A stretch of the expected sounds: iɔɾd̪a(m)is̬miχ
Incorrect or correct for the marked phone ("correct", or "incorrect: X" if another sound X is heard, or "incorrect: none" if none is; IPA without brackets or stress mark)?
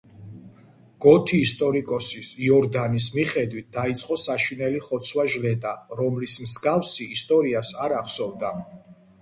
incorrect: n